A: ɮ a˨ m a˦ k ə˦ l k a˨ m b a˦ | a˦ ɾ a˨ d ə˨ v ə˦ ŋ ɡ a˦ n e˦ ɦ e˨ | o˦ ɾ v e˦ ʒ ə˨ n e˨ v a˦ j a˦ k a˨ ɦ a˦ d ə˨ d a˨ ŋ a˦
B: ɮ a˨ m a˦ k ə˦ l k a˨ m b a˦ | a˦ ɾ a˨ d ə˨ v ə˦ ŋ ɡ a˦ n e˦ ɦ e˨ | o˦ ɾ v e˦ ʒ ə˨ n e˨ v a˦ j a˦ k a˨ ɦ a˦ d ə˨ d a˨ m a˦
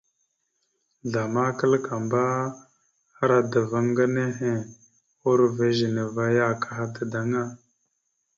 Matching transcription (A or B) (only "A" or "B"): A